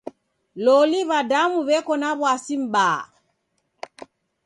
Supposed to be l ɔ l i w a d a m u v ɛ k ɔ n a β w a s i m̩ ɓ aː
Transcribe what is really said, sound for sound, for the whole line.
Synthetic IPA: l ɔ l i β a d a m u β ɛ k ɔ n a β w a s i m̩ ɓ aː